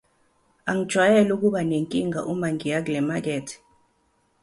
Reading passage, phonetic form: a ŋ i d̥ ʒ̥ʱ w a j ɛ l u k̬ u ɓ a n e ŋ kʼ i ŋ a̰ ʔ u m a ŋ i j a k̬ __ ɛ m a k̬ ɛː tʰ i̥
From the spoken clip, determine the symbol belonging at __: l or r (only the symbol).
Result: l